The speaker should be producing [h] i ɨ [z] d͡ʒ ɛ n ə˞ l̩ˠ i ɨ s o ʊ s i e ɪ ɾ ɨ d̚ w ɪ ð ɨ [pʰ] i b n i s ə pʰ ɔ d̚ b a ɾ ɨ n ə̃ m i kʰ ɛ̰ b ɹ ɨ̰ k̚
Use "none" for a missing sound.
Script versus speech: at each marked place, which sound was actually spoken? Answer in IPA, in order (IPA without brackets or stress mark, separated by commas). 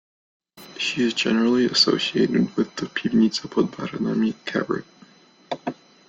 ʃ, z, pʰ